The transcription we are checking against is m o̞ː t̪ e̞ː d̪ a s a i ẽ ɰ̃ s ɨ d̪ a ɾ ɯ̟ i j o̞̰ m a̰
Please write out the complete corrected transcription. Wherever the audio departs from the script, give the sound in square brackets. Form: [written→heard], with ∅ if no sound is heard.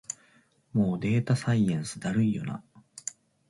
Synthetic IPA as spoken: m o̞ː [t̪→d̪] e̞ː [d̪→t̪] a s a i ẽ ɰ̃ s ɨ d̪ a ɾ ɯ̟ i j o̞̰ [m→n] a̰